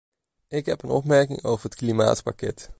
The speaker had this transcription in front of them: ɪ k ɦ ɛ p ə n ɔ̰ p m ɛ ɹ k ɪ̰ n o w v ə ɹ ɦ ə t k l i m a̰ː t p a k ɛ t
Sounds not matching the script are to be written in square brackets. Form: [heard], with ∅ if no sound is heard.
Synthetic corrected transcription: ɪ k ɦ ɛ p ə n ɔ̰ p m ɛ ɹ k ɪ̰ [ŋ] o w v ə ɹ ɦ ə t k l i m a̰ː t p a k ɛ t